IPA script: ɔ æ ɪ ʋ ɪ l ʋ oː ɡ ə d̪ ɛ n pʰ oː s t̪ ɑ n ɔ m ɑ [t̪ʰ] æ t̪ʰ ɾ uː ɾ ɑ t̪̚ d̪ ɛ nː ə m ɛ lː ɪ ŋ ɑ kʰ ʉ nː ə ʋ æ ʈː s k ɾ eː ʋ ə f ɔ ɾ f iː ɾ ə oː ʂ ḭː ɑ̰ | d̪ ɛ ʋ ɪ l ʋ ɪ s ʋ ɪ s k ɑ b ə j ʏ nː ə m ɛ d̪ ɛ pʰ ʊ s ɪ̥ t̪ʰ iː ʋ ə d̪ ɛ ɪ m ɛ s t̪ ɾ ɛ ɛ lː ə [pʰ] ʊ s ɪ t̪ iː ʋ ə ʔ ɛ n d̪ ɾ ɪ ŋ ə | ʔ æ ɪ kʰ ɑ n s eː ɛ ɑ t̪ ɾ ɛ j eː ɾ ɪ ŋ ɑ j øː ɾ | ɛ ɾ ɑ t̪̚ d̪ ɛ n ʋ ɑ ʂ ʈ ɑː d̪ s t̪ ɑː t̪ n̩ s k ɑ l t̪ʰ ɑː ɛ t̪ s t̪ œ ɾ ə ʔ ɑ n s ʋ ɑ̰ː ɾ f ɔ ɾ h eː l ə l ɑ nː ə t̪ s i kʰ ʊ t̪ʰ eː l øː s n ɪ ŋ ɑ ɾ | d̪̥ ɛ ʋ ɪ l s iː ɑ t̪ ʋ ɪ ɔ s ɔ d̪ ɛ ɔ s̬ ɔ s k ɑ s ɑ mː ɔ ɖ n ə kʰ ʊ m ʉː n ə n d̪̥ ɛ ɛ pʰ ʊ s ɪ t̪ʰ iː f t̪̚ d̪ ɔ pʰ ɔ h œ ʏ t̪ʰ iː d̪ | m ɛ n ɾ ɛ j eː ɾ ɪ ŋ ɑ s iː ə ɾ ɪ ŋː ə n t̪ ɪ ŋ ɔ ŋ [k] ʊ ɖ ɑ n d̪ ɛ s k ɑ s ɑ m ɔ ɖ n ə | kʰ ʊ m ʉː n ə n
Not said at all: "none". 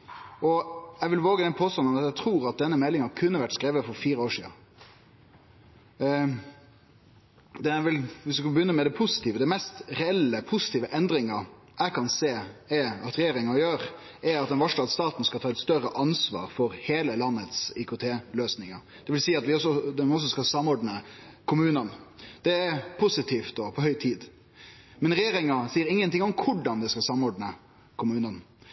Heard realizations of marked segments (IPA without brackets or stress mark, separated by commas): t̪, pʰ, kʰ